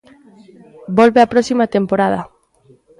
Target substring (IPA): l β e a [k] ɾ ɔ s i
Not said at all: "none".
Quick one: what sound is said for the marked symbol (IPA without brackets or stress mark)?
p